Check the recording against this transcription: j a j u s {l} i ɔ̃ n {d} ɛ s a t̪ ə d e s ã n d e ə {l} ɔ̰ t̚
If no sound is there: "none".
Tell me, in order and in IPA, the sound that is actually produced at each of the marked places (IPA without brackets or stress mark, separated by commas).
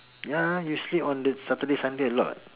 l, d, l